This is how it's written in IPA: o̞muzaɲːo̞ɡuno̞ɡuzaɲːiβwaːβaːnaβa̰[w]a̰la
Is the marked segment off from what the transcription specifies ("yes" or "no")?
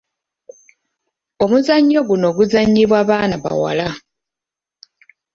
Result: no